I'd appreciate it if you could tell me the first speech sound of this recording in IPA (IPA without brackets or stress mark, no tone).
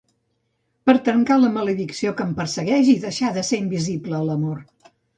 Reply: p